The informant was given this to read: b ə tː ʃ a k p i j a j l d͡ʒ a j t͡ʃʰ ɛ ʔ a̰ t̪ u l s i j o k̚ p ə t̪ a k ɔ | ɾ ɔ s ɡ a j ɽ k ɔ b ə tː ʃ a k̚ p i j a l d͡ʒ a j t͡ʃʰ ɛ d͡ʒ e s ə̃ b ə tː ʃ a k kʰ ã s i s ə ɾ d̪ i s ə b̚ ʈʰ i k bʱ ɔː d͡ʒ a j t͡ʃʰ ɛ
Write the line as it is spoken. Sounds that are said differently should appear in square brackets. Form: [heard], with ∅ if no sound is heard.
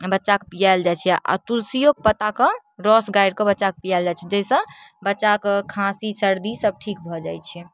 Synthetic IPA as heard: b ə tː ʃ a k p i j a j l d͡ʒ a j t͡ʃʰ ɛ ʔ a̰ t̪ u l s i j o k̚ p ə t̪ a k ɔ | ɾ ɔ s ɡ a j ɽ k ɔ b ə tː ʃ a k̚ p i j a l d͡ʒ a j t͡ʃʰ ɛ d͡ʒ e s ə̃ b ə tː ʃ a k kʰ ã s i s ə ɾ d̪ i s ə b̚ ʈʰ i k bʱ [ɔ] d͡ʒ a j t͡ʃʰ ɛ